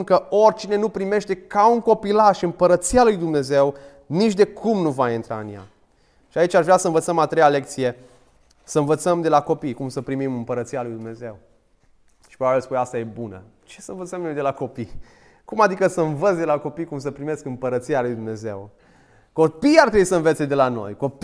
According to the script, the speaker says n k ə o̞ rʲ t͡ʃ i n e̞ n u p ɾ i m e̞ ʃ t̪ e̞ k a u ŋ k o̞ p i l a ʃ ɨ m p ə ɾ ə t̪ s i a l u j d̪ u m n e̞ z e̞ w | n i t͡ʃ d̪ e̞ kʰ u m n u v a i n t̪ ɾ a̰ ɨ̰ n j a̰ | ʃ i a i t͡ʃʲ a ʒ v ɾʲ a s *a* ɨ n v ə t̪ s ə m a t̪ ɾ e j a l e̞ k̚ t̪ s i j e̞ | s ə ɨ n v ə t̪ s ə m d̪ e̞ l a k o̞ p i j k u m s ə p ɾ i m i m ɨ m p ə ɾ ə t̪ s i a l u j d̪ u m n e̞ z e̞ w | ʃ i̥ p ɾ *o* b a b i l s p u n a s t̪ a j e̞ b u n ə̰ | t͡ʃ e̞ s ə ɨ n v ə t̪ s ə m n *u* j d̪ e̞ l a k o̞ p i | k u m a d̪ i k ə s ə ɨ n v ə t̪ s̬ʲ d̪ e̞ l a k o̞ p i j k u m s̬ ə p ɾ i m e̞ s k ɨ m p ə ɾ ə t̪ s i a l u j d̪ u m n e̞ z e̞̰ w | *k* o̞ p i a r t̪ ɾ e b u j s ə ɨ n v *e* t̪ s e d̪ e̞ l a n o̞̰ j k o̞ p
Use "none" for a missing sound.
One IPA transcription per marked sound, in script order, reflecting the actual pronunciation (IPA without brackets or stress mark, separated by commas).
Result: ə, o, o, k, e